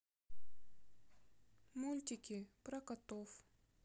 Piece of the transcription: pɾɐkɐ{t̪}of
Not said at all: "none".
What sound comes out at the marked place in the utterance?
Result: t̪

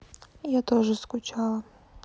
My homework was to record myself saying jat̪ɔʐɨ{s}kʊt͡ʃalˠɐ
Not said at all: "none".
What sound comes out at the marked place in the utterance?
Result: s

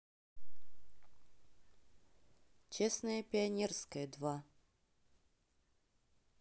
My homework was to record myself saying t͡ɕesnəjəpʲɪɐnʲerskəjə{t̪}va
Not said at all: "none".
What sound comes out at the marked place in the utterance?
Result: d̪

